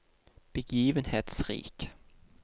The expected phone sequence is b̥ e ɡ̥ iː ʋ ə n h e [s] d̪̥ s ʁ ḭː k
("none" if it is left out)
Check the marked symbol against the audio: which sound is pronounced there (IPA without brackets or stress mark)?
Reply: none